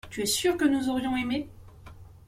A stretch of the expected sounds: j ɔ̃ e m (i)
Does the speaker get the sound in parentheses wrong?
yes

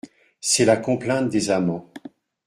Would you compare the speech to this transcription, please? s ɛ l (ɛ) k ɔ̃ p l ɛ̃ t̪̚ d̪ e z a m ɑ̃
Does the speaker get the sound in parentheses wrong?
yes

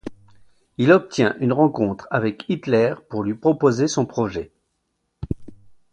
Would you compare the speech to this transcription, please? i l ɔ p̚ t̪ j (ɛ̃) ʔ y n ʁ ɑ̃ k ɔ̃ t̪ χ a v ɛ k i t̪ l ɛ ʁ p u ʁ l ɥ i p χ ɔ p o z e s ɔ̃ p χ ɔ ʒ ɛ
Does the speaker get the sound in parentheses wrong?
no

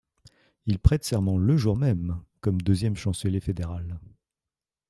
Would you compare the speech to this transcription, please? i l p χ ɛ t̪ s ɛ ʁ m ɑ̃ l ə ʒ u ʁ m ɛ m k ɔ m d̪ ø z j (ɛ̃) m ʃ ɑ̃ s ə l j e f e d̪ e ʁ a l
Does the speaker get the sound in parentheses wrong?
yes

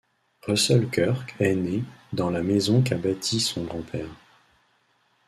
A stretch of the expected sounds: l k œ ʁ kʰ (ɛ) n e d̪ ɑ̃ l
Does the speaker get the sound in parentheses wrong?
no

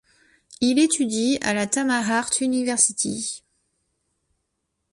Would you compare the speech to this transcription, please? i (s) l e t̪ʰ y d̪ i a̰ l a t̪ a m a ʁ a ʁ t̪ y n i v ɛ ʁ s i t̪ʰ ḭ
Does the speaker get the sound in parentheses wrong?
yes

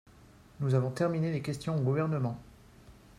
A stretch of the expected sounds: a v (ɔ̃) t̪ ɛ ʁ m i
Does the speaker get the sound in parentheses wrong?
no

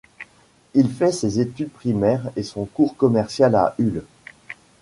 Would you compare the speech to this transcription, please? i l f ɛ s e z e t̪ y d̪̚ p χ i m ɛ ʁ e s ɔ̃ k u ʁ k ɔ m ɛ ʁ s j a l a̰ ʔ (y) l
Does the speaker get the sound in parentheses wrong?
no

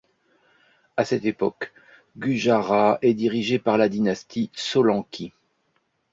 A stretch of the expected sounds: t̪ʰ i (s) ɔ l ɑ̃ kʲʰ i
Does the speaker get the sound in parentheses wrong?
no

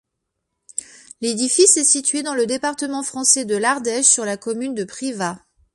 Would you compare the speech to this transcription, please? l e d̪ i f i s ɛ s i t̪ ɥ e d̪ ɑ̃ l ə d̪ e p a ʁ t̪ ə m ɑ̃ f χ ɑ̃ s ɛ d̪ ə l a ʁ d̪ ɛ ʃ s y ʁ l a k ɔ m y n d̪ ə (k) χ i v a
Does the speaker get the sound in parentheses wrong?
yes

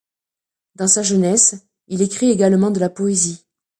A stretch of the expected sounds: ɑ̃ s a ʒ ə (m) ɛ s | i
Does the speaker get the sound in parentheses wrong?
yes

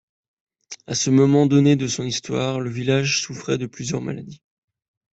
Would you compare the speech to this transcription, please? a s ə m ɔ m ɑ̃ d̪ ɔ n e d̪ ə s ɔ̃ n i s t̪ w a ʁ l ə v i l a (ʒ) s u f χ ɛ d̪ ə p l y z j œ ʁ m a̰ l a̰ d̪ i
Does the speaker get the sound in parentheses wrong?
no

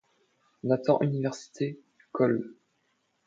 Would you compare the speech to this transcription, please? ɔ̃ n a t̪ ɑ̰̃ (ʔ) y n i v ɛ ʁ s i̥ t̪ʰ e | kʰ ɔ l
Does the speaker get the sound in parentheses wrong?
no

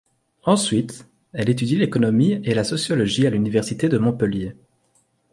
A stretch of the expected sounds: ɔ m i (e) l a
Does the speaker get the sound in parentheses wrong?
no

